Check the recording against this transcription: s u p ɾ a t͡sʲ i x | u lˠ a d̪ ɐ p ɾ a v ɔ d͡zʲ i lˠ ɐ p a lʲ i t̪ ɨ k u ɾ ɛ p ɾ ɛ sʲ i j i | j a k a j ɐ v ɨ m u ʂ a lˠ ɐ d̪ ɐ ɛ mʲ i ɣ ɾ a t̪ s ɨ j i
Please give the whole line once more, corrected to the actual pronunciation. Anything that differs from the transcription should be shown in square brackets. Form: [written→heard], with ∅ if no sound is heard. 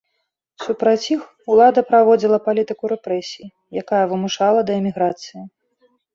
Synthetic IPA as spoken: s u p ɾ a t͡sʲ i x | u lˠ a d̪ ɐ p ɾ a v ɔ d͡zʲ i lˠ ɐ p a lʲ i t̪ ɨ k u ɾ ɛ p ɾ ɛ sʲ i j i | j a k a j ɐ v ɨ m u ʂ a lˠ ɐ d̪ ɐ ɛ mʲ i ɣ ɾ a t̪ s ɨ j i